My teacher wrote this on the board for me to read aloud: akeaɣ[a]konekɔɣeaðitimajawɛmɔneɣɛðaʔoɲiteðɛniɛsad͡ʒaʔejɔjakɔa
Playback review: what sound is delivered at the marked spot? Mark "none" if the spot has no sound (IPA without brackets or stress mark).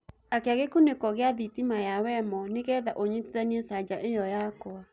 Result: e